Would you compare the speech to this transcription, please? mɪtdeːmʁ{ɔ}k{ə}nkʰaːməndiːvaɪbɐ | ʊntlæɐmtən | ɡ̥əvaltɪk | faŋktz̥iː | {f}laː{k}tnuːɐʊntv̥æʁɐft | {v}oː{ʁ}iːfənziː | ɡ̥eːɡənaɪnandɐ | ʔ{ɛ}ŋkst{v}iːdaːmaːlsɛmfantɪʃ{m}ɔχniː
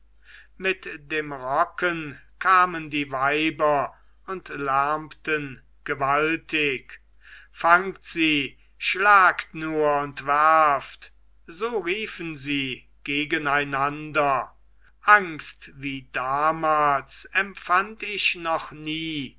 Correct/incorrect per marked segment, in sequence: correct, correct, incorrect: ʃ, correct, incorrect: z, correct, incorrect: a, correct, incorrect: n

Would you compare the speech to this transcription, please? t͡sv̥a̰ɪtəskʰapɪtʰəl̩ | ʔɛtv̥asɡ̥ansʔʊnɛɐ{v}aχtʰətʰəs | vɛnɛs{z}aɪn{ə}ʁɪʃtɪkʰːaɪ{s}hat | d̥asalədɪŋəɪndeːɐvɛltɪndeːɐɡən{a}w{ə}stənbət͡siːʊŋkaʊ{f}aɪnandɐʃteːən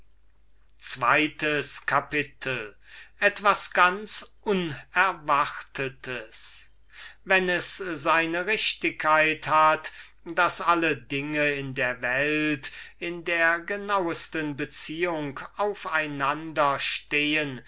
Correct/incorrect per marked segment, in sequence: correct, correct, correct, incorrect: t, correct, correct, correct

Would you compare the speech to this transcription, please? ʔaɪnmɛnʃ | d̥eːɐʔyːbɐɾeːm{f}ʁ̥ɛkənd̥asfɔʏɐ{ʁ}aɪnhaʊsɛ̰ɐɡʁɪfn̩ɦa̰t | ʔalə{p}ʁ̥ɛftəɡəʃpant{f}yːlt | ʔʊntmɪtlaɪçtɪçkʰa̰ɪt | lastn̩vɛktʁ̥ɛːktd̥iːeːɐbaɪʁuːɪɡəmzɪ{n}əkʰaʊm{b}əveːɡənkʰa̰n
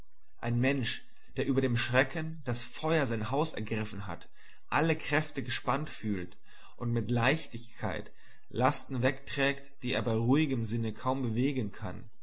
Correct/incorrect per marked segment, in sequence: incorrect: ʃ, incorrect: z, incorrect: k, correct, correct, correct

